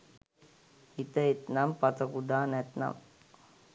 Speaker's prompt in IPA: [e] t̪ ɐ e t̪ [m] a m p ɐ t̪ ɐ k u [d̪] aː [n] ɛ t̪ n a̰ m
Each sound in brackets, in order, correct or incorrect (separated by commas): incorrect, incorrect, correct, correct